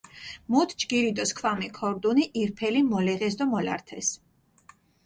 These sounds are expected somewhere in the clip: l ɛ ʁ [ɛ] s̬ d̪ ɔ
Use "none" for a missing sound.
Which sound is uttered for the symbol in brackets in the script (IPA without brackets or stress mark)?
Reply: ɛ